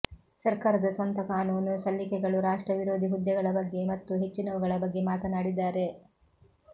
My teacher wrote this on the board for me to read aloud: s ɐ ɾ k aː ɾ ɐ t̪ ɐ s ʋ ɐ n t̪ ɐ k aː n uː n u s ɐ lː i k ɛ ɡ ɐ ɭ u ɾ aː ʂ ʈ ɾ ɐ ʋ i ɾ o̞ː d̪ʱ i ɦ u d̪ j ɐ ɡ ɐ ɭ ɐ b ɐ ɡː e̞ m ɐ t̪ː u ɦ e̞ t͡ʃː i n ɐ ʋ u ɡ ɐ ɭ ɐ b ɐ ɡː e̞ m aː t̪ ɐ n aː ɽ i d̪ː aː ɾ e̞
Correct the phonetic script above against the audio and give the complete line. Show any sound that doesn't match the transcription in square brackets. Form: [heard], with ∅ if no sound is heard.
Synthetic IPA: s ɐ ɾ k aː ɾ ɐ [d̪] ɐ s ʋ ɐ n t̪ ɐ k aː n uː n u s ɐ lː i k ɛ ɡ ɐ ɭ u ɾ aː ʂ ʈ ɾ ɐ ʋ i ɾ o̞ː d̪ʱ i ɦ u d̪ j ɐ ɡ ɐ ɭ ɐ b ɐ ɡː e̞ m ɐ t̪ː u ɦ e̞ t͡ʃː i n ɐ ʋ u ɡ ɐ ɭ ɐ b ɐ ɡː e̞ m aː t̪ ɐ n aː ɽ i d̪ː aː ɾ e̞